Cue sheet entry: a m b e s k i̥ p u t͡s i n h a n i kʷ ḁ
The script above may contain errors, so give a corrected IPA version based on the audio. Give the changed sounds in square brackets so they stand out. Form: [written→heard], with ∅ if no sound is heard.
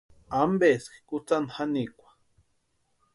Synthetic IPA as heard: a m b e s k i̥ [p→k] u t͡s [i→a] n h a n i kʷ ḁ